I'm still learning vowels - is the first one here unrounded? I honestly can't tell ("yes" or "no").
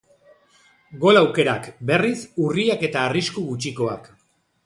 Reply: no